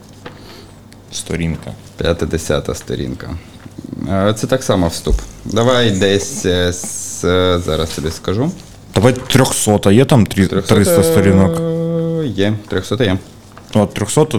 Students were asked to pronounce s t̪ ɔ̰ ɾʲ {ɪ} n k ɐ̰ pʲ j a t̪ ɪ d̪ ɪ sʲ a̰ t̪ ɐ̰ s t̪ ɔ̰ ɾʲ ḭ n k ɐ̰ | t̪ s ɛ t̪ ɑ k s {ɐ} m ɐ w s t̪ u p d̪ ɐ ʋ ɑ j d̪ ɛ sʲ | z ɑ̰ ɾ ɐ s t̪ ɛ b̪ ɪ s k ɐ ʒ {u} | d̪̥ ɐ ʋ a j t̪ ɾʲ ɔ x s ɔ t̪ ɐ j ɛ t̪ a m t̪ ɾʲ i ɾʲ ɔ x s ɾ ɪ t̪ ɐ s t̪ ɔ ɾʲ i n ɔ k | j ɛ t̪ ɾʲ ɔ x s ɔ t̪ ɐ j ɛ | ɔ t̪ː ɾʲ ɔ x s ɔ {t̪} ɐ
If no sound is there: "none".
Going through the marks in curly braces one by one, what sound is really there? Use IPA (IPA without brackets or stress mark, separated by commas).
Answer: i, ɑ, u, t̪